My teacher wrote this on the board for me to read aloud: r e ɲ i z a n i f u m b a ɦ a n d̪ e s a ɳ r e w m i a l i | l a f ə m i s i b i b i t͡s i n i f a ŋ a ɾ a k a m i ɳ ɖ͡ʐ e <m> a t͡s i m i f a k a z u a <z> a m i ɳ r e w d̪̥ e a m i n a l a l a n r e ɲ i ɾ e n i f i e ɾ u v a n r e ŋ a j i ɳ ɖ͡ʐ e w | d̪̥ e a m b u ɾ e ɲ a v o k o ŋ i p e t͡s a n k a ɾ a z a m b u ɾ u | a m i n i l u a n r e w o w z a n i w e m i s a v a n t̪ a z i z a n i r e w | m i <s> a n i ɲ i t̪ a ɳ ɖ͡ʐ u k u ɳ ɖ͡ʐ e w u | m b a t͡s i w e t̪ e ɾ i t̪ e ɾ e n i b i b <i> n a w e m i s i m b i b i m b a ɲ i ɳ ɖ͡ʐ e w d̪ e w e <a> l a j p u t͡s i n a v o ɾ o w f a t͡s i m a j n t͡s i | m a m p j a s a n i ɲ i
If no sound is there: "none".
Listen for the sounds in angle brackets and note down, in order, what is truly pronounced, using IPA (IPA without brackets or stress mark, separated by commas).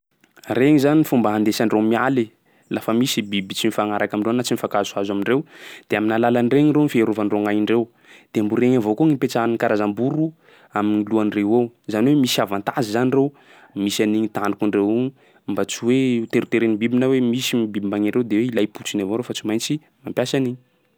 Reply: n, z, s, i, i